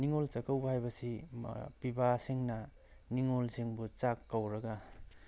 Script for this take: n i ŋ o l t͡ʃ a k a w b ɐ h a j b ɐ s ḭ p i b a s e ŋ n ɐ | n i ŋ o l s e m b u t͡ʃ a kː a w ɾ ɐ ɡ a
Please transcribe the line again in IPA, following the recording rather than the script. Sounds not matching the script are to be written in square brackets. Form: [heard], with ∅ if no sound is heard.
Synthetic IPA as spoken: n i ŋ o l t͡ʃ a k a w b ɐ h a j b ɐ s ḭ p i b a s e ŋ n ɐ | n i ŋ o l s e [ŋ] b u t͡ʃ a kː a w ɾ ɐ ɡ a